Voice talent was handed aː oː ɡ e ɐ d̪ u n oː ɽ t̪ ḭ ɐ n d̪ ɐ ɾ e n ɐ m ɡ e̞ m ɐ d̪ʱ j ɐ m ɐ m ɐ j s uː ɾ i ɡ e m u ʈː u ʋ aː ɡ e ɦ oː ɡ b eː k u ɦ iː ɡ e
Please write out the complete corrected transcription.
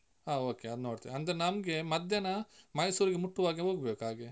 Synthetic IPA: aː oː k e ɐ d̪ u n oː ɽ t̪ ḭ ɐ n d̪ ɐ ɾ e n ɐ m ɡ e̞ m ɐ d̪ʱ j ɐ n ɐ m ɐ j s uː ɾ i ɡ e m u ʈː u ʋ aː ɡ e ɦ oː ɡ b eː k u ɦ aː ɡ e

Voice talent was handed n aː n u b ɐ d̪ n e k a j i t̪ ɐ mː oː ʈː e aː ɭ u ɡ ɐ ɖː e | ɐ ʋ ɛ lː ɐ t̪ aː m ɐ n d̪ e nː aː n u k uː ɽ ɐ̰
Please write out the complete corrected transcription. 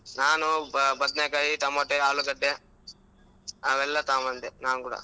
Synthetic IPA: n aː n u b ɐ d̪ n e k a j i t̪ ɐ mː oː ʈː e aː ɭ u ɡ ɐ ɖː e | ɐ ʋ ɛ lː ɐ t̪ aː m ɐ n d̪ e n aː n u k uː ɽ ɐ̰

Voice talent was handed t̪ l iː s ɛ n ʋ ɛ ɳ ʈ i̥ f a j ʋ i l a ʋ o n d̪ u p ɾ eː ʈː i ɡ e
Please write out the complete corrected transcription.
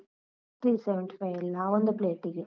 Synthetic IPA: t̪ ɾ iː s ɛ ʋ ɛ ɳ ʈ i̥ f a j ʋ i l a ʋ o n d̪ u p l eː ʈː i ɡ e

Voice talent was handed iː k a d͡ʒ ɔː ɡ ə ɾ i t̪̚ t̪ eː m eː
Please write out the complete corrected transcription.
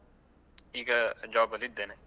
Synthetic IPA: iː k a d͡ʒ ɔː b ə l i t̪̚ d̪ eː n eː

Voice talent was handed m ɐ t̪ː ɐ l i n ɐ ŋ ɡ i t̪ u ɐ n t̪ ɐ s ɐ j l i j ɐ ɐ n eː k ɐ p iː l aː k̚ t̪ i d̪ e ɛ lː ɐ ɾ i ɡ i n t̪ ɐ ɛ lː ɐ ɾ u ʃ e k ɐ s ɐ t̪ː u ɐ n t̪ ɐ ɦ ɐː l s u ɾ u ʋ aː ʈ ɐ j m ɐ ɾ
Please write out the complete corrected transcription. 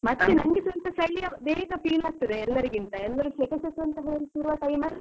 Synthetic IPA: m ɐ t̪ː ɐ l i n ɐ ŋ ɡ i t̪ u ɐ n t̪ ɐ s ɐ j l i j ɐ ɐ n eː k ɐ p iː l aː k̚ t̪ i d̪ e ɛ lː ɐ ɾ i ɡ i n t̪ ɐ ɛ lː ɐ ɾ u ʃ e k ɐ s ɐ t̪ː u ɐ n t̪ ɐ ɦ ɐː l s u ɾ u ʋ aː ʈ ɐ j m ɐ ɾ

